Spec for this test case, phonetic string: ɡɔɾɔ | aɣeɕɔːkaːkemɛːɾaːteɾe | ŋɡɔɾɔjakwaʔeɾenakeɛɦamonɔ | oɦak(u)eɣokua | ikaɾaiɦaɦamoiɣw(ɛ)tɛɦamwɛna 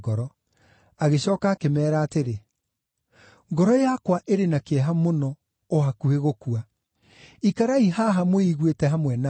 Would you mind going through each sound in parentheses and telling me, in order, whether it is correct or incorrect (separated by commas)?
correct, incorrect